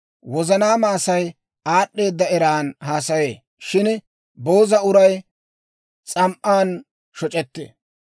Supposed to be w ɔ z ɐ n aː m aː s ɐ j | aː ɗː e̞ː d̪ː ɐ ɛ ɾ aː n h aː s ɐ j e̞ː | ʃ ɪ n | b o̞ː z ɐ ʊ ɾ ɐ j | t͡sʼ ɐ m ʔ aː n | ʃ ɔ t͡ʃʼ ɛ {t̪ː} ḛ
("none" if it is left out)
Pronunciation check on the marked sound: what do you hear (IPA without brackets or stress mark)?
t̪ː